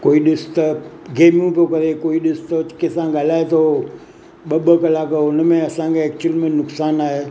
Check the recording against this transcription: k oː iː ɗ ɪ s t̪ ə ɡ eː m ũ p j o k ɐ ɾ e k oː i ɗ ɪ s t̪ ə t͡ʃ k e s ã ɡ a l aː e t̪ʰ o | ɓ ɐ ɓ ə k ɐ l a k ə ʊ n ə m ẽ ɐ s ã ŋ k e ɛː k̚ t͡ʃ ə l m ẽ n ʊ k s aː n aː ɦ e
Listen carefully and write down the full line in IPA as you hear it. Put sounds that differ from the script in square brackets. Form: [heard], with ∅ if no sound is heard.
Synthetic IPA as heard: k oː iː ɗ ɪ s t̪ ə ɡ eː m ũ p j o k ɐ ɾ e k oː i ɗ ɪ s t̪ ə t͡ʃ k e s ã ɡ a l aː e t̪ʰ o | ɓ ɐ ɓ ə k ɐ l a k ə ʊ n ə m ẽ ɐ s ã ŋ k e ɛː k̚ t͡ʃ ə l m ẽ n ʊ k s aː n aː ɦ e